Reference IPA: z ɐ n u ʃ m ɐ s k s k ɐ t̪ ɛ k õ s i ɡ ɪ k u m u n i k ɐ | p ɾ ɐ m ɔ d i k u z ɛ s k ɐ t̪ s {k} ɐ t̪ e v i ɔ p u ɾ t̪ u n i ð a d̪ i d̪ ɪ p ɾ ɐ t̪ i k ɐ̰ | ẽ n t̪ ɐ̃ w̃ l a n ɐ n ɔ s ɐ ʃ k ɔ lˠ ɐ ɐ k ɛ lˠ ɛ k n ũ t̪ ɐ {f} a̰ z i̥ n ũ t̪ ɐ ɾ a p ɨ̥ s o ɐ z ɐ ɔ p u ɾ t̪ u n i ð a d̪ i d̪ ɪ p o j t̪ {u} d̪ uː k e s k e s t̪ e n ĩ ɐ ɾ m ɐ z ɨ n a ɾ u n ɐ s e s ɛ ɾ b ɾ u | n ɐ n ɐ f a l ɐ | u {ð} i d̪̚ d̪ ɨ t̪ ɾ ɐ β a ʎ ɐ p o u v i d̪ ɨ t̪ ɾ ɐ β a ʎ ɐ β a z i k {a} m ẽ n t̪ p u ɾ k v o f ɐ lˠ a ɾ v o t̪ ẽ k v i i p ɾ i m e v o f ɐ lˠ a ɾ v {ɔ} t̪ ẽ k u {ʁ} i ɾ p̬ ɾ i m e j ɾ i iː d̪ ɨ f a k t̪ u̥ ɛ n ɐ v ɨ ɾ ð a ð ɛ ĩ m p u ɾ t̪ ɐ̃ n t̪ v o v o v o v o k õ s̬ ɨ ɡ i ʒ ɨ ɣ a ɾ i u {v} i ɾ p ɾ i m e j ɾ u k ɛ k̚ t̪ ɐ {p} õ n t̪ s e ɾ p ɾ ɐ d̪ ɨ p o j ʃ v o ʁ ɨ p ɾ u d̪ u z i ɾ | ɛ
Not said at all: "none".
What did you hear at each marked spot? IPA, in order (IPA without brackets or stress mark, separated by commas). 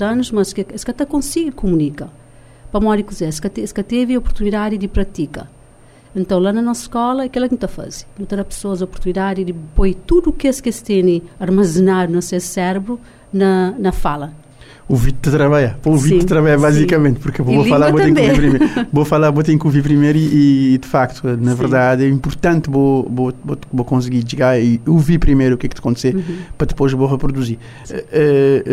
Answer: k, f, u, v, ɐ, o, v, v, k